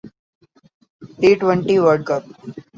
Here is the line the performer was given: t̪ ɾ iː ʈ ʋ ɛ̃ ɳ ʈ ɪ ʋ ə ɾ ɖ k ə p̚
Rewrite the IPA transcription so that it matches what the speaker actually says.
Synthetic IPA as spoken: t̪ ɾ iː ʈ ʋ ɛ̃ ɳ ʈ i ʋ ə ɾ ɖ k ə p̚

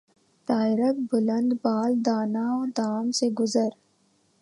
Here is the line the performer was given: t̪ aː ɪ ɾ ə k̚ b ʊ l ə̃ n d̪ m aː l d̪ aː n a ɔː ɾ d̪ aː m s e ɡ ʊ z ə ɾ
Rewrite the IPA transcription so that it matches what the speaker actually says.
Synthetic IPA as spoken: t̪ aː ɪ ɾ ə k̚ b ʊ l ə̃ n d̪ b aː l d̪ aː n a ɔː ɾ d̪ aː m s e ɡ ʊ z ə ɾ

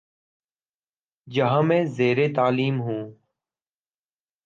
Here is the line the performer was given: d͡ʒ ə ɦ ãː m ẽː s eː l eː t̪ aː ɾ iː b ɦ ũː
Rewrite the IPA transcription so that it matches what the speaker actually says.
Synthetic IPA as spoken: d͡ʒ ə ɦ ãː m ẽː z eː ɾ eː t̪ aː l iː m ɦ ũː

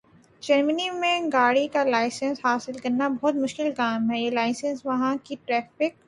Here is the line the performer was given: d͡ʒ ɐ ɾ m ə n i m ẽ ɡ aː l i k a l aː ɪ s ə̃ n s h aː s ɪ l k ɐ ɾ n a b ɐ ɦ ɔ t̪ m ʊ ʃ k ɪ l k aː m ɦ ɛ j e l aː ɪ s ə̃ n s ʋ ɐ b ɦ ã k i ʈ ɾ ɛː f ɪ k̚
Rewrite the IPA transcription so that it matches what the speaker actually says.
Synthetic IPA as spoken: d͡ʒ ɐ ɾ m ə n i m ẽ ɡ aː ɽ i k a l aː ɪ s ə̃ n s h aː s ɪ l k ɐ ɾ n a b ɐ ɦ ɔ t̪ m ʊ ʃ k ɪ l k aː m ɦ ɛ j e l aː ɪ s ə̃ n s ʋ ɐ ɦ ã k i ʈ ɾ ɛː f ɪ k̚

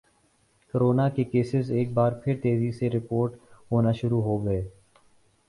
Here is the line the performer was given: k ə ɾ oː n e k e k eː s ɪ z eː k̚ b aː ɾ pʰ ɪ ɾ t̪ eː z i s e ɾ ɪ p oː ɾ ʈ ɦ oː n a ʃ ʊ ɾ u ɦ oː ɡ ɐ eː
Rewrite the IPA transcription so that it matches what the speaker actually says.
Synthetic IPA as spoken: k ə ɾ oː n a k e k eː s ɪ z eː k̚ b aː ɾ pʰ ɪ ɾ t̪ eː z i s e ɾ ɪ p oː ɾ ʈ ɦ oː n a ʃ ʊ ɾ u ɦ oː ɡ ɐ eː

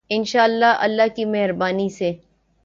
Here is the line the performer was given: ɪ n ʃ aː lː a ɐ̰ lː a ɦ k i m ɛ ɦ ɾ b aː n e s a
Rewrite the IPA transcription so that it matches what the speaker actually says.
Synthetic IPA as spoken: ɪ n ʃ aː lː a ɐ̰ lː a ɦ k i m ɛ ɦ ɾ b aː n i s e

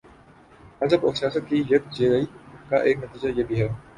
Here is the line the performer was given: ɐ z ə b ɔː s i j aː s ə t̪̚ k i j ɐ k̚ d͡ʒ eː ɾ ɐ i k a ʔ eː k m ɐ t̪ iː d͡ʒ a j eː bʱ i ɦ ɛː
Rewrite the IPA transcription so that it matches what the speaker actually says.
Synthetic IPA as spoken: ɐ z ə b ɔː s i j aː s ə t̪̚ k i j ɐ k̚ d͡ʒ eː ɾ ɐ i k a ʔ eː k n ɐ t̪ iː d͡ʒ a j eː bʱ i ɦ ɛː

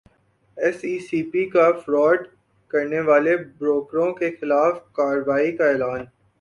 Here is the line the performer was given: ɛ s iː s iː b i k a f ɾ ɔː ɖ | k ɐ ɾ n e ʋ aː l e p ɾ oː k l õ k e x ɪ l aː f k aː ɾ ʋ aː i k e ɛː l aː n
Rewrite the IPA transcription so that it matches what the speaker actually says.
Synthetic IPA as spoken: ɛ s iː s iː p i k a f ɾ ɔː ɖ | k ɐ ɾ n e ʋ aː l e b ɾ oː k ɾ õ k e x ɪ l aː f k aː ɾ ʋ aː i k a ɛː l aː n

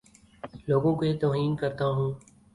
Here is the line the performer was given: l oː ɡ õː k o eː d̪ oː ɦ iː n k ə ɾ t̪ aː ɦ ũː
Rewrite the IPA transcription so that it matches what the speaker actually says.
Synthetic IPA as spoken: l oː ɡ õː k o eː t̪ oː ɦ iː n k ə ɾ t̪ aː ɦ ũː

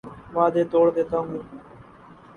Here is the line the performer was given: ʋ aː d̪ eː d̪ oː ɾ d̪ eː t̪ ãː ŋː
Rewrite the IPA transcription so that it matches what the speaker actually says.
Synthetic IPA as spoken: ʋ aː d̪ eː t̪ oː ɽ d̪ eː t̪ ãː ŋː

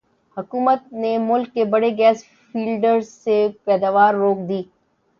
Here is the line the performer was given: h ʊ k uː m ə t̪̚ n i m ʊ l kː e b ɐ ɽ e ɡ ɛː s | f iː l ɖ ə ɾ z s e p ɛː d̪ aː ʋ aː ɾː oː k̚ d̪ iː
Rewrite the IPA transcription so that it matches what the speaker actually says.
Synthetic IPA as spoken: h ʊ k uː m ə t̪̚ n e m ʊ l kː e b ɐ ɽ e ɡ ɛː s | f iː l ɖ ə ɾ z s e p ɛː d̪ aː ʋ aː ɾː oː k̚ d̪ iː

